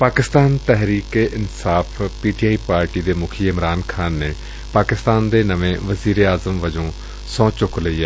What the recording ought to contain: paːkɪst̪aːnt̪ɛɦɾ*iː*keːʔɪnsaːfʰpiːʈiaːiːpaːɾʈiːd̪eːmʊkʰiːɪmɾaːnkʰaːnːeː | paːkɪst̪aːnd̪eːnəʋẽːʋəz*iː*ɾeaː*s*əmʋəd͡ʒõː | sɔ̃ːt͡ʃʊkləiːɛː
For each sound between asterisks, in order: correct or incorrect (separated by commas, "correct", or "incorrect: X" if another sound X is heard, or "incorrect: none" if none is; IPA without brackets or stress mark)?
correct, correct, incorrect: z